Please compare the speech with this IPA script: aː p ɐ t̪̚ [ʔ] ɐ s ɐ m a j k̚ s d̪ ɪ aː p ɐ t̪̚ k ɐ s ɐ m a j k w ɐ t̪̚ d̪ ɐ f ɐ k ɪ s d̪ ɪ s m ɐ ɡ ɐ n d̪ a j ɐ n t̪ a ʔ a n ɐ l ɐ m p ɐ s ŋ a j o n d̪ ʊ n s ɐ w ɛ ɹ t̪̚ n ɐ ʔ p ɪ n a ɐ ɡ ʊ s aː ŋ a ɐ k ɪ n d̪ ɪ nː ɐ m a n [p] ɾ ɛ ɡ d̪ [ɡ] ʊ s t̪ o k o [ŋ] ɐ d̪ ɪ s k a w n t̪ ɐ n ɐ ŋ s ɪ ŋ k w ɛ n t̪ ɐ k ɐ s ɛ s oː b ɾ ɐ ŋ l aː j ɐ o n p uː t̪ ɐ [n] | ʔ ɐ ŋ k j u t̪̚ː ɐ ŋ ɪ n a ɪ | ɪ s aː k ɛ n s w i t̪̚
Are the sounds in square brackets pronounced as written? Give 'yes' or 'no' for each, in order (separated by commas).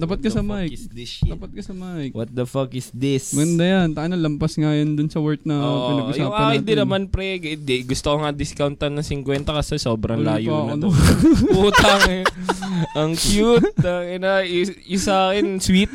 no, yes, yes, yes, no